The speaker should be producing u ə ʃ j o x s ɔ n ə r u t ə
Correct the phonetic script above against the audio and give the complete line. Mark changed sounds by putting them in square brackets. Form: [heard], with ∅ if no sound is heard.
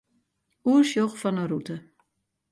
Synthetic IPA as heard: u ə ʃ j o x [f] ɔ n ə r u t ə